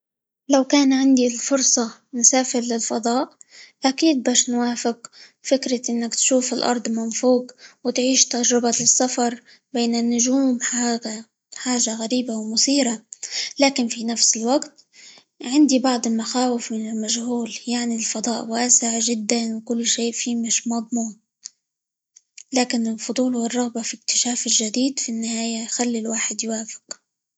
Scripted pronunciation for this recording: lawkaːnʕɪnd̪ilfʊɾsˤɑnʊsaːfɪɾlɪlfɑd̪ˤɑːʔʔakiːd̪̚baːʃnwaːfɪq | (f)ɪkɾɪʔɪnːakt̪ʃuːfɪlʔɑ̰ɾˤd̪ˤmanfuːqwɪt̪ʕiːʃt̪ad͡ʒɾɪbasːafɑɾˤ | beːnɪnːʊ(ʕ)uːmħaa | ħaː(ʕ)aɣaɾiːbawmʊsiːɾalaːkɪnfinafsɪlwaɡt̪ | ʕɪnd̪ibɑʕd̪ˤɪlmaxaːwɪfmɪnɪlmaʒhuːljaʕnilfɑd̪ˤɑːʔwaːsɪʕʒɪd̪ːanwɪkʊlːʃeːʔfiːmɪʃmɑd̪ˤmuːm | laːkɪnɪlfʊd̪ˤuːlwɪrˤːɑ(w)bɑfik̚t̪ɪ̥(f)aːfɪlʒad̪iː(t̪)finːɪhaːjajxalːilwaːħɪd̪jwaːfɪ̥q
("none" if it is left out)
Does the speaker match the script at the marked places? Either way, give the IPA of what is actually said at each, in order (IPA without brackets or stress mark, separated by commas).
f, ʒ, ʒ, ɣ, ʃ, d̪